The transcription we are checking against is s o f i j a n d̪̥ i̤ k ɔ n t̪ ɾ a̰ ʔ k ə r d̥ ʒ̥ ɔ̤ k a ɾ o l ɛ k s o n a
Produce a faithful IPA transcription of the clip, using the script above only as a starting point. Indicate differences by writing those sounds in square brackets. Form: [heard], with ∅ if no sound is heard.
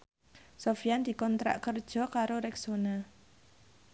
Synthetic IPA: s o f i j a n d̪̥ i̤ k ɔ n t̪ ɾ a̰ ʔ k ə r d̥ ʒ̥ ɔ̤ k a ɾ o [ɾ] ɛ k s o n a